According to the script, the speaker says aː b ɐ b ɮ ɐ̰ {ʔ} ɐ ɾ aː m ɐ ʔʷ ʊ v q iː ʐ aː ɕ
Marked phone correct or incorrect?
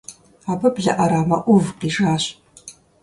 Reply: correct